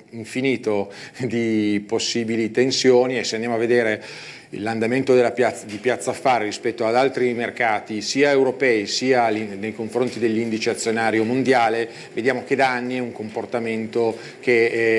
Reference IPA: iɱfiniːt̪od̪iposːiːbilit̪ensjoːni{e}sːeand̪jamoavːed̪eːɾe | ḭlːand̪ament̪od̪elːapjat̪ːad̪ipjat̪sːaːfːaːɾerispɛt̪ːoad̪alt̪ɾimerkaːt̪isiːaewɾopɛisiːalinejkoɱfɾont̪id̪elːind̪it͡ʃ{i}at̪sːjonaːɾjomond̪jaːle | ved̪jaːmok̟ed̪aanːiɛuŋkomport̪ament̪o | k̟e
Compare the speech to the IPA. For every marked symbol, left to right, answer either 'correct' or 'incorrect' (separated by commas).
correct, incorrect